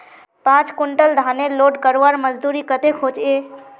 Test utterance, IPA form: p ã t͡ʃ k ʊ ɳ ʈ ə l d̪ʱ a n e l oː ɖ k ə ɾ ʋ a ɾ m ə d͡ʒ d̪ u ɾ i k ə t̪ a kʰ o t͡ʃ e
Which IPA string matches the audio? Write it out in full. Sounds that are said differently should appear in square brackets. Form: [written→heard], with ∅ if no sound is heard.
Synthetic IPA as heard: p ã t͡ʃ k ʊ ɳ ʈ ə l d̪ʱ a n e l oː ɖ k ə ɾ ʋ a ɾ m ə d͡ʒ d̪ u ɾ i k ə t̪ [a→e] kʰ o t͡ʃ e